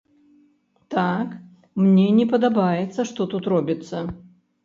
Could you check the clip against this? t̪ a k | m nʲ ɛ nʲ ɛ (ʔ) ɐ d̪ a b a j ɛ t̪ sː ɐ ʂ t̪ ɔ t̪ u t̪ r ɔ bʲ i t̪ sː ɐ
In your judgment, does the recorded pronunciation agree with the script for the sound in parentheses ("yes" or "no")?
no